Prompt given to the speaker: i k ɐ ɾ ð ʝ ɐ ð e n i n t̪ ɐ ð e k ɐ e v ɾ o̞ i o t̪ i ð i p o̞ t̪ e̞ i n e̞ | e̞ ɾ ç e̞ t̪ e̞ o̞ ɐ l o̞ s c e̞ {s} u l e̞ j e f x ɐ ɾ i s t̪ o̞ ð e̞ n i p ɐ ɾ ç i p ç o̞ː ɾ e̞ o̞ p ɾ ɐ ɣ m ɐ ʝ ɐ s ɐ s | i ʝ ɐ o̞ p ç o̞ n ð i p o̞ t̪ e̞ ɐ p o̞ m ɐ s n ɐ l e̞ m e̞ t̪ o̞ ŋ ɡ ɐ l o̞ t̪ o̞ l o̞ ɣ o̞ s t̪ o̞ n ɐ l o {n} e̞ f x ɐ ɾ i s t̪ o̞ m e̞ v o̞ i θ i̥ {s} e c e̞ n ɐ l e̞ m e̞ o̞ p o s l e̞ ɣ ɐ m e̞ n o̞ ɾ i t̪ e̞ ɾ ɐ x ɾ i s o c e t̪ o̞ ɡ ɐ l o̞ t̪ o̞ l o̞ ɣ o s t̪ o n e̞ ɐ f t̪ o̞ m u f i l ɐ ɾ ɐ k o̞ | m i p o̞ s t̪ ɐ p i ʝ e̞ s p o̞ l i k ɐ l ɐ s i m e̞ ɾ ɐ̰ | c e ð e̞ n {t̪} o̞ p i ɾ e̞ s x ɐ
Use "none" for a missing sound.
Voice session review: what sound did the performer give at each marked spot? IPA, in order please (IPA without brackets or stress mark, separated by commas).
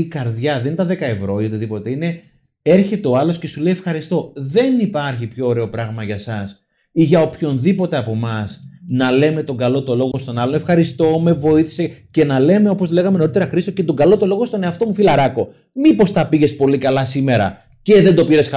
s, n, s, d̪